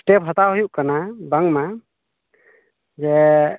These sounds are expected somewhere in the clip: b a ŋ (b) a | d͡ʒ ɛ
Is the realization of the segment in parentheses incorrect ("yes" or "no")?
yes